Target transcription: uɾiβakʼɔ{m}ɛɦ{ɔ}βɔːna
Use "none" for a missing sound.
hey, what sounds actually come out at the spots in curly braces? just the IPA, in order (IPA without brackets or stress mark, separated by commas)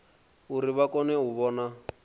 n, u